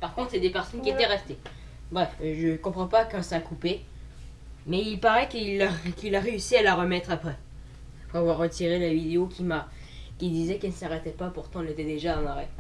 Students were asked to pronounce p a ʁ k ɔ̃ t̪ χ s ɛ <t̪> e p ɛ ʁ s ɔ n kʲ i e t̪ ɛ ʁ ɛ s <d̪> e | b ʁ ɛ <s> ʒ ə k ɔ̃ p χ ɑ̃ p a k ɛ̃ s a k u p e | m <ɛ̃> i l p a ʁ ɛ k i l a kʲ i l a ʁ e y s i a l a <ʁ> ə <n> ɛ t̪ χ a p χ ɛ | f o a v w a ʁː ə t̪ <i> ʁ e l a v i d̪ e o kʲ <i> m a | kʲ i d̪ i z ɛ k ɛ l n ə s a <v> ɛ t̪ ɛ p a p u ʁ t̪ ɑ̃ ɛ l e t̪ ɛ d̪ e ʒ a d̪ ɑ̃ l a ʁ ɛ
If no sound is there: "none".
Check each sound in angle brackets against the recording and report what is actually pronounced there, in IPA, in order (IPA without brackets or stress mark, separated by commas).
d̪, t̪, f, ɛ, ʁ, m, i, i, ʁ